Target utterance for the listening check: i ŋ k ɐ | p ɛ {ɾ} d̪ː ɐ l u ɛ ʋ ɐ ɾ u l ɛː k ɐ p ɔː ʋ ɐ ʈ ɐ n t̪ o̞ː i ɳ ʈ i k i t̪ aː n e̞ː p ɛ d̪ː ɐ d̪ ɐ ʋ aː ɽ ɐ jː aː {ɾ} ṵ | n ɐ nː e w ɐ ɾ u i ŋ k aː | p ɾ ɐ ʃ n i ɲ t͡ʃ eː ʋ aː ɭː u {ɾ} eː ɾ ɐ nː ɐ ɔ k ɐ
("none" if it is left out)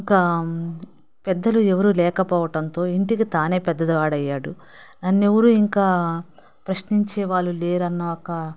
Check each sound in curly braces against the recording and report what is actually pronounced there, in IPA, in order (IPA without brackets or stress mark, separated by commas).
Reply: none, ɽ, l